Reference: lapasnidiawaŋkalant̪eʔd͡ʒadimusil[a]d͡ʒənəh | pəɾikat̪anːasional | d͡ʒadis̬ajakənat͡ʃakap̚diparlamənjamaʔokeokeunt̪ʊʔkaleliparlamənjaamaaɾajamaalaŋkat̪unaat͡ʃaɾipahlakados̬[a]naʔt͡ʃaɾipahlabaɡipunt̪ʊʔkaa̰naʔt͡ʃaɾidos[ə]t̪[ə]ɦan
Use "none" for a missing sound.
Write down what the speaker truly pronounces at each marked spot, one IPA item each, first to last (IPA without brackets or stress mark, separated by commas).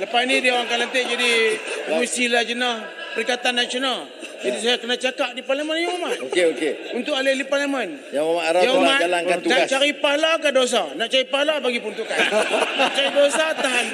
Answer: a, a, a, a